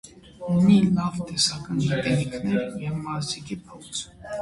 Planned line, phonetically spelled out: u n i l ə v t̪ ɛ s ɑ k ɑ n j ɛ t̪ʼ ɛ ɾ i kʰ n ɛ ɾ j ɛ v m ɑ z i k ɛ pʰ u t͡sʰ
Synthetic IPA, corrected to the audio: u n i l ɑ v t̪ ɛ s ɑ k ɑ n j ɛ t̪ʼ ɛ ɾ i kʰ n ɛ ɾ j ɛ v m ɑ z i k i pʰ ɔ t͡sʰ